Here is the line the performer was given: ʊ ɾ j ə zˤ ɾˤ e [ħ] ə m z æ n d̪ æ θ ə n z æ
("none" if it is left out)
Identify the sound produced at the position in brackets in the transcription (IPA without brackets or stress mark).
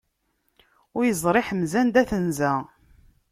ħ